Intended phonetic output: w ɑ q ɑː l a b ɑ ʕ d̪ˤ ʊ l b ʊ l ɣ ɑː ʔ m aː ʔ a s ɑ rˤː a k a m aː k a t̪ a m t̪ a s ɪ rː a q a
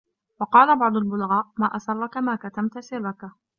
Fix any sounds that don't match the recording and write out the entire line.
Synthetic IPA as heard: w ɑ q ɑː l a b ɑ ʕ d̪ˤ ʊ l b ʊ l ɣ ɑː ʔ m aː ʔ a s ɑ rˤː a k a m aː k a t̪ a m t̪ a s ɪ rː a k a